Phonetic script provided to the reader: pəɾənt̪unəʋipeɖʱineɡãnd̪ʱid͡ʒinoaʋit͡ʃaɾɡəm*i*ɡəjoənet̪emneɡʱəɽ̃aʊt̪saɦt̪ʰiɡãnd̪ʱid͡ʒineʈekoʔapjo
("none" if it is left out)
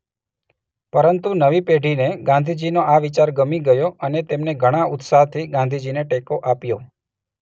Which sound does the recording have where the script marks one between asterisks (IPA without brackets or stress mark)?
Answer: i